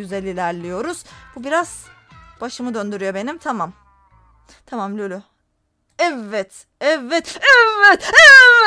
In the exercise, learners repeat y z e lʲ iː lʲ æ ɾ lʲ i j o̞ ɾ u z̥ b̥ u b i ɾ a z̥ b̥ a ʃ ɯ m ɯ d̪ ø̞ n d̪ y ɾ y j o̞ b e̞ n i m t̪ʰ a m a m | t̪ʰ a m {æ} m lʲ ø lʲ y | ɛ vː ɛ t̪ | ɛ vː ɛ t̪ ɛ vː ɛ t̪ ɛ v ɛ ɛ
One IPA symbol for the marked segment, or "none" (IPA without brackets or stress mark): a